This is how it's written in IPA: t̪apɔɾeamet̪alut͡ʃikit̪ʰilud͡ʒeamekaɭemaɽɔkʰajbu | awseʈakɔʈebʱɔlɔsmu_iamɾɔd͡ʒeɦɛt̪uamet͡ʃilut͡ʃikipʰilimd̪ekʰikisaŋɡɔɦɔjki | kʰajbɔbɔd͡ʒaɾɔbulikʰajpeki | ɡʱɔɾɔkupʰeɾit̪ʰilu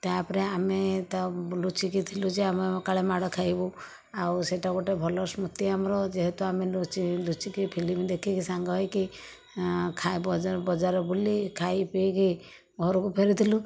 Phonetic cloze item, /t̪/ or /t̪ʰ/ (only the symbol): t̪